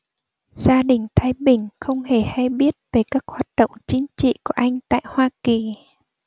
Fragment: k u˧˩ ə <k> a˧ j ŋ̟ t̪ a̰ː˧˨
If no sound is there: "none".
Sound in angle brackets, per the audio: ʔ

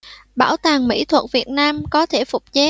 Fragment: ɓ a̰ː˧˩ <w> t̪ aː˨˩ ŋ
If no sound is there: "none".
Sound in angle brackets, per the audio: w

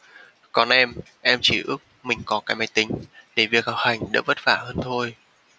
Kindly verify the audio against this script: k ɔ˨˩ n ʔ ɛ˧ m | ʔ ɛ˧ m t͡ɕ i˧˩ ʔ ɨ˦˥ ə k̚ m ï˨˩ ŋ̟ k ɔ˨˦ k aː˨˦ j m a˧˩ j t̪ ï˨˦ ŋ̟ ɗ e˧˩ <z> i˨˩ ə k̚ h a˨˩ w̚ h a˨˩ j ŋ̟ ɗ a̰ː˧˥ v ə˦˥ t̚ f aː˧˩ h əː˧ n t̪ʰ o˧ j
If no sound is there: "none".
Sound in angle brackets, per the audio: v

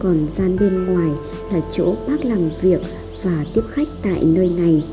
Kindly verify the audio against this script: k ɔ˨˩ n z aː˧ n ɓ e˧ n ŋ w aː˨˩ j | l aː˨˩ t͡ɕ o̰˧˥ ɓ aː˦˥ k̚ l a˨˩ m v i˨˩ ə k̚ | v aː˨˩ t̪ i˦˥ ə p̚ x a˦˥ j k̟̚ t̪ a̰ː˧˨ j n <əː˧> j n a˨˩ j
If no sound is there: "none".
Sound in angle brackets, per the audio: əː˧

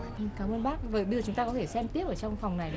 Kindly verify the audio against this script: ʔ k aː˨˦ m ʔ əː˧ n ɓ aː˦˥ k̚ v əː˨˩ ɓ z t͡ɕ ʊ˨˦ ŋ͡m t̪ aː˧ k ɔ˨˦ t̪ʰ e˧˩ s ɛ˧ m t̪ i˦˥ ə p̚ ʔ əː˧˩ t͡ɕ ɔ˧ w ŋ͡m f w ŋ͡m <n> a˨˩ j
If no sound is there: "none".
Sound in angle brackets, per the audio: n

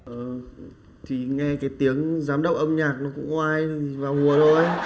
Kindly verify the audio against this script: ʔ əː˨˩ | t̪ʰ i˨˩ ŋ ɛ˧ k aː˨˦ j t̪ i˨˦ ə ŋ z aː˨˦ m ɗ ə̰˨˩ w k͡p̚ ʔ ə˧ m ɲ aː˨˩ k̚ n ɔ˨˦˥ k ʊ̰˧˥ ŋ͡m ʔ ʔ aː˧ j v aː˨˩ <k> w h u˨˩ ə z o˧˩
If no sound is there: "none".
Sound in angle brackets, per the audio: none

